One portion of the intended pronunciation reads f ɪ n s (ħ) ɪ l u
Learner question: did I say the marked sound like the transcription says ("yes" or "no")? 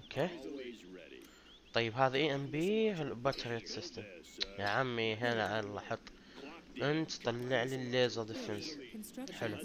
yes